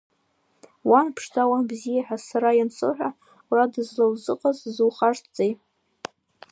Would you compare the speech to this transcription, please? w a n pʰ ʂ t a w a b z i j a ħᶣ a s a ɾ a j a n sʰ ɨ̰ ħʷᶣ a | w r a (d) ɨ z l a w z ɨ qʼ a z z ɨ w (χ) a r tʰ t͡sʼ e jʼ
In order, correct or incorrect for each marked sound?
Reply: correct, correct

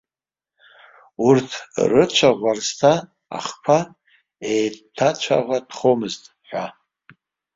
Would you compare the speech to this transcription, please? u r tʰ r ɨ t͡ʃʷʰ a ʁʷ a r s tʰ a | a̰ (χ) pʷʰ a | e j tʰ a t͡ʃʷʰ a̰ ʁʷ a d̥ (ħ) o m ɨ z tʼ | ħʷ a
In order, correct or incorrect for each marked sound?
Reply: correct, incorrect

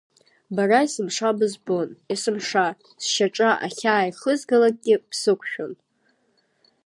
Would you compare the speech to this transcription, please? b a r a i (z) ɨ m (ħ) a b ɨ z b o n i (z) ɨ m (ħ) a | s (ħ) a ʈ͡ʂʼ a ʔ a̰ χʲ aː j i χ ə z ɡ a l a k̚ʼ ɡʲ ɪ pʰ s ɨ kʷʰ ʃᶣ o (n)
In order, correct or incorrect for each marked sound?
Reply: incorrect, incorrect, incorrect, incorrect, incorrect, correct

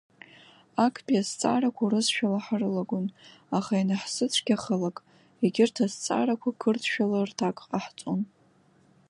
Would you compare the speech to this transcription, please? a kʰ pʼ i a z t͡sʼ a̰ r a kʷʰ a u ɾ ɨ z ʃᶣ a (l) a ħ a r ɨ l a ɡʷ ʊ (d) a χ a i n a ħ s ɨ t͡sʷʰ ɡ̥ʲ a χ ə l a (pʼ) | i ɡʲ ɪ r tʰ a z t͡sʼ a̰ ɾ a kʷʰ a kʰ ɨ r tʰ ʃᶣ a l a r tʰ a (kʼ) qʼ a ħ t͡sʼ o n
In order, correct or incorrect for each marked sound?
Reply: correct, incorrect, incorrect, correct

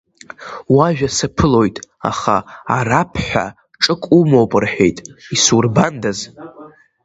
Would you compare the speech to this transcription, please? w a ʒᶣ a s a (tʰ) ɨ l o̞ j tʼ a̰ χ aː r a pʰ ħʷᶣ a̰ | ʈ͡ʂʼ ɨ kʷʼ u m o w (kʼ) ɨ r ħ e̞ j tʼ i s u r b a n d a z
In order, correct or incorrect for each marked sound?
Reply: incorrect, incorrect

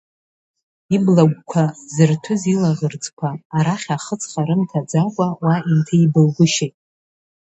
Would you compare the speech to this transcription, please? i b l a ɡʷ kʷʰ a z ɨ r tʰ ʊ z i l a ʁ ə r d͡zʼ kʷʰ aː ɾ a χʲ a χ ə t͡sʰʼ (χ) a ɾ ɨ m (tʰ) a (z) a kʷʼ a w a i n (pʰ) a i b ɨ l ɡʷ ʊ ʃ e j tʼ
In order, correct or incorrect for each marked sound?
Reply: correct, correct, incorrect, incorrect

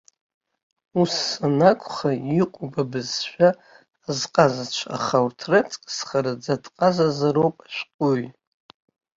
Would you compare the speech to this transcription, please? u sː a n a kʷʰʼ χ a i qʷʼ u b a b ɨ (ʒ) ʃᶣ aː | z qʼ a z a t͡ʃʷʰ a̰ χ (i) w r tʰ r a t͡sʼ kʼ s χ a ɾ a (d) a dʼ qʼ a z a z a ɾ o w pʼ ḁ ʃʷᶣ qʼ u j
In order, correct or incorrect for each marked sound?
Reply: incorrect, incorrect, incorrect

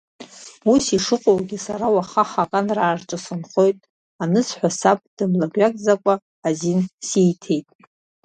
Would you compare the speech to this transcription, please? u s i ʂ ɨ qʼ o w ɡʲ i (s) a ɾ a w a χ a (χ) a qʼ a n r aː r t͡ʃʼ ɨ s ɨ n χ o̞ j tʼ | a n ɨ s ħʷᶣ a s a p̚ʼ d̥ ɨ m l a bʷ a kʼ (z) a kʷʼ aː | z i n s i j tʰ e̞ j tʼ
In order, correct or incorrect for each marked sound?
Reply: correct, correct, correct

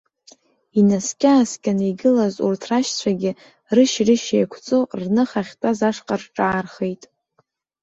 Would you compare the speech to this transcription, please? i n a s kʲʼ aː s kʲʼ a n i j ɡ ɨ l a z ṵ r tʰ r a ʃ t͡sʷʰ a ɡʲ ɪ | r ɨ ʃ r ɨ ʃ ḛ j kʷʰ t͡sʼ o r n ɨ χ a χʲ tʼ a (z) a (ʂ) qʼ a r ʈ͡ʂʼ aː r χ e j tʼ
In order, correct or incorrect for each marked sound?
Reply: correct, correct

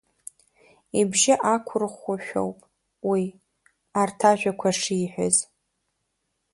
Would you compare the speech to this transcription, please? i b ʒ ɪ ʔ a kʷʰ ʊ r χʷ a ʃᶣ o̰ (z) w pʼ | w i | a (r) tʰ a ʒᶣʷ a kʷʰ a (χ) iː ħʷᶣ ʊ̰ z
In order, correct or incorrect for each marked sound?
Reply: incorrect, correct, incorrect

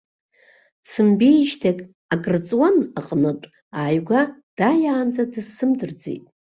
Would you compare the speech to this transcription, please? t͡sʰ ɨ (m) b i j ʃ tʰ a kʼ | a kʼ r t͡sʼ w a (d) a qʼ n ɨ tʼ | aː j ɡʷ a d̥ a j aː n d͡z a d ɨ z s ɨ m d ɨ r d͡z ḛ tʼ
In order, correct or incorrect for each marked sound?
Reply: correct, incorrect

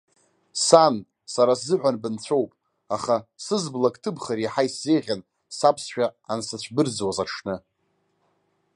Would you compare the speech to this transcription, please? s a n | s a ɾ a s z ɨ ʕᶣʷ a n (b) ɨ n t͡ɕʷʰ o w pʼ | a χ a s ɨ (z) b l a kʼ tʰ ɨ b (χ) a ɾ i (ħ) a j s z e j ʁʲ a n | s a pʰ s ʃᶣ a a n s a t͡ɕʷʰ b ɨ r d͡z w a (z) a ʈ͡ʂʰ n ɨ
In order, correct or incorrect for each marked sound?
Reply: correct, correct, correct, correct, correct

